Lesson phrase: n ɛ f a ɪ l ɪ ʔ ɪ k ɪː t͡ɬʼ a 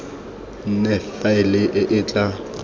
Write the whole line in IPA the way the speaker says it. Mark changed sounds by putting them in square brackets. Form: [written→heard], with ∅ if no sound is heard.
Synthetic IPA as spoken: n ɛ f a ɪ l ɪ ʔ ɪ [k→ʔ] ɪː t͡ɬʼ a